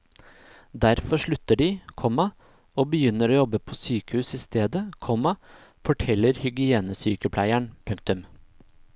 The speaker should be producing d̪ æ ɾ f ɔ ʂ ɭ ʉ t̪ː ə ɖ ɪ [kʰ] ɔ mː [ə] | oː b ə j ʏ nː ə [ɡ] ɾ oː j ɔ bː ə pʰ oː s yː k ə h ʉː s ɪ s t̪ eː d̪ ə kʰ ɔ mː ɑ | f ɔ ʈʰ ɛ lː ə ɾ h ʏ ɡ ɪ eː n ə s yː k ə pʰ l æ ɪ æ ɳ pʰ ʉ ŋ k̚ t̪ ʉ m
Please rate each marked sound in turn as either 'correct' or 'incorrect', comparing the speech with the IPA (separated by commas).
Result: correct, incorrect, incorrect